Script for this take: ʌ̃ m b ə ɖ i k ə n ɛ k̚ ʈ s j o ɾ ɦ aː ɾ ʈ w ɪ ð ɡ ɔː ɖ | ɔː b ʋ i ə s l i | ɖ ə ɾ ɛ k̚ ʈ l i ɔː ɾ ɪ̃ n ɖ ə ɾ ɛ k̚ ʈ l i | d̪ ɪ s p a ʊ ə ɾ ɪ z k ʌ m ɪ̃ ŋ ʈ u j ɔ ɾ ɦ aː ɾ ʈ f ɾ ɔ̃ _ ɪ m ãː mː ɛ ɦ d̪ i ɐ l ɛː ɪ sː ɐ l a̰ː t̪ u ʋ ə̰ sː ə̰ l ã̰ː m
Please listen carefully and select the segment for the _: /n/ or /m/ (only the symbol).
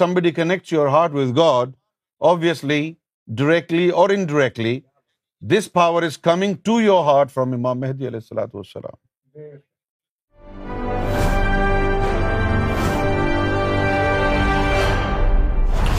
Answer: m